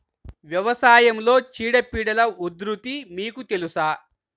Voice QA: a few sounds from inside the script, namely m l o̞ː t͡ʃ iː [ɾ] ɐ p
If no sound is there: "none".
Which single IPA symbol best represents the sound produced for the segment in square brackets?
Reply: ɽ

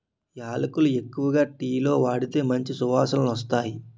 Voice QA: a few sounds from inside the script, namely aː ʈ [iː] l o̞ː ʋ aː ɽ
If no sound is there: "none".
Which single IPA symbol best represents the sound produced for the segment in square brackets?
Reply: iː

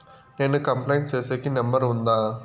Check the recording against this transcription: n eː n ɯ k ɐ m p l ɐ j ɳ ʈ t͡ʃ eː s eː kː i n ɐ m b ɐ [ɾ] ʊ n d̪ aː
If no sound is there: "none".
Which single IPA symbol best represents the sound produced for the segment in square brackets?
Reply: ɾ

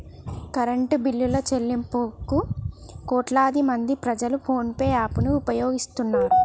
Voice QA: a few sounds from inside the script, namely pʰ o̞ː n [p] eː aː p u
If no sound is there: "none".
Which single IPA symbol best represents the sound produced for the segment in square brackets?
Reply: p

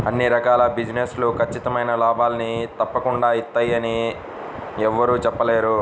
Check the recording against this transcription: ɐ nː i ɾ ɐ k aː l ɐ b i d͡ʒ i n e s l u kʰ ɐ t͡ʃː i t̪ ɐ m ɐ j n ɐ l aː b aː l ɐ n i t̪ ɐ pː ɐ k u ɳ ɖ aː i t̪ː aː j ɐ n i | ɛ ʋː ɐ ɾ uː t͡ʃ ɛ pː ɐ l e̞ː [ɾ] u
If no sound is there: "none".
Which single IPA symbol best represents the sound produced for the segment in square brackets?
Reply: ɾ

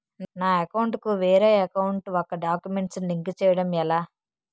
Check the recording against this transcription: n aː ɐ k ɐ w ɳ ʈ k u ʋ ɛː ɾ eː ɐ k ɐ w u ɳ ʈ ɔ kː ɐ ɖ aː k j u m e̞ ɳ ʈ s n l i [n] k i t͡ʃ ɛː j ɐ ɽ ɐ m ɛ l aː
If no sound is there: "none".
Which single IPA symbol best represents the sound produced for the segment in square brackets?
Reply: ŋ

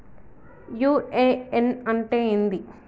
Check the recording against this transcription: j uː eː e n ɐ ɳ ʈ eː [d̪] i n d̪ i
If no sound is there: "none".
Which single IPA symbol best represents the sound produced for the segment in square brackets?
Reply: none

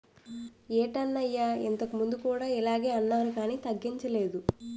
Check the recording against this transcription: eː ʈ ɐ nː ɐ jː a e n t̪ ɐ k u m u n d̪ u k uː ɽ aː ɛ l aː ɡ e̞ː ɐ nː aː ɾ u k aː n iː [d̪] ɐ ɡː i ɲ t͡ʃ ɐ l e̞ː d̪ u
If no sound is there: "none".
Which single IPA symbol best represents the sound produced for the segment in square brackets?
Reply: t̪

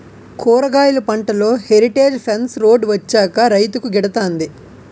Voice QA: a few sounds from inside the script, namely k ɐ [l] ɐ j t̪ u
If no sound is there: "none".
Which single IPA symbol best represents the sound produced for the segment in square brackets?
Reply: ɾ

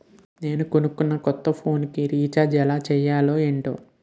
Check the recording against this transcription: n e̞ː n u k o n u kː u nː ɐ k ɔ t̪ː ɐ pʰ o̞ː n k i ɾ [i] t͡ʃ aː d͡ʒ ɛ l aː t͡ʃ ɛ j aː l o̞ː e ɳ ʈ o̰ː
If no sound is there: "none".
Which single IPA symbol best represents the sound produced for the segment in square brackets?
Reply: iː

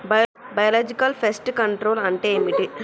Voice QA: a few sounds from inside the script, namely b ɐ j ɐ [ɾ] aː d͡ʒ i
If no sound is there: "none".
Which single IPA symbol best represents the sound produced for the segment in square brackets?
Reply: l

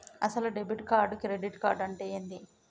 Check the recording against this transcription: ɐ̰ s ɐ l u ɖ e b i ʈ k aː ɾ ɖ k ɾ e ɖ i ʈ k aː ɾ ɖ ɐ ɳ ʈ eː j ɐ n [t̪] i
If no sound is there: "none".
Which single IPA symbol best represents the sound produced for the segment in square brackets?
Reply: d̪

